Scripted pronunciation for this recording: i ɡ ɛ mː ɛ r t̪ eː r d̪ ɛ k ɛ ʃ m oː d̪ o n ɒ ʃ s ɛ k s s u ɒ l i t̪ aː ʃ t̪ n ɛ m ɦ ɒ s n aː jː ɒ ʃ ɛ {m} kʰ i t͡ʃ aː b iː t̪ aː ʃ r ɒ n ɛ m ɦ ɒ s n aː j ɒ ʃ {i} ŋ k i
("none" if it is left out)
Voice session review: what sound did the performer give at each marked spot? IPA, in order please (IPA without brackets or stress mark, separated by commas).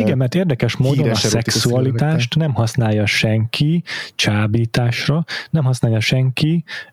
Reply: ŋ, ɛ